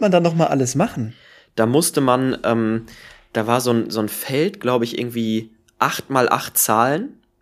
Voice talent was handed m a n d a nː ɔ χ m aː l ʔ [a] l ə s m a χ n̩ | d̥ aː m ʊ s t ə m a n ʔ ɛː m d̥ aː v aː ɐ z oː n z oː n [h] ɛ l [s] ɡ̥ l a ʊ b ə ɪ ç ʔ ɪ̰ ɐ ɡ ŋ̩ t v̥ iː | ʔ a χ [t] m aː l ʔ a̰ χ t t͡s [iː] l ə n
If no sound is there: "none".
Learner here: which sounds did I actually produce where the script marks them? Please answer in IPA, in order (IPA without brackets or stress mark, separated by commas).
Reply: a, f, t, t, aː